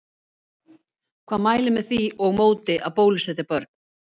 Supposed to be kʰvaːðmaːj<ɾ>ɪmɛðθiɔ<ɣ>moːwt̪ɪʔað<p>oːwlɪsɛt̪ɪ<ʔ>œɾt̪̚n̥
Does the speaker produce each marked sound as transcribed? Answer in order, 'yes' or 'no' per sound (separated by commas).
no, yes, yes, no